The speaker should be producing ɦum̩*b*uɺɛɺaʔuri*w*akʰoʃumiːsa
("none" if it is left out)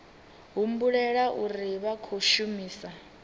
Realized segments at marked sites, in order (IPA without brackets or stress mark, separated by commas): b, β